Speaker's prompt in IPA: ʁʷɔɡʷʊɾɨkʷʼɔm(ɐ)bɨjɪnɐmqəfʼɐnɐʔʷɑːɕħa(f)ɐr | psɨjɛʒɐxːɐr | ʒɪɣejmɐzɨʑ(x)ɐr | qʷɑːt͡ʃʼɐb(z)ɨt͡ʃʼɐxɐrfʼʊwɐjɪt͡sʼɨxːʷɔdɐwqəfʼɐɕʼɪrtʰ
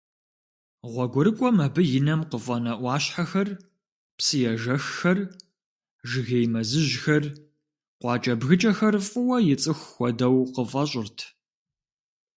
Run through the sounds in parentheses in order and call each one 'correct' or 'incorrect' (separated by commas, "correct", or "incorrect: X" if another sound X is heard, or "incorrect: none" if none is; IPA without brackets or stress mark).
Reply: correct, incorrect: x, correct, incorrect: ɣ